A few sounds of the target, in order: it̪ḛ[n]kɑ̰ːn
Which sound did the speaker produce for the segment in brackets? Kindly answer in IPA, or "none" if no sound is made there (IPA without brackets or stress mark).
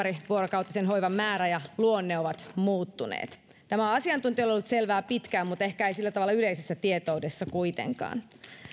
ŋ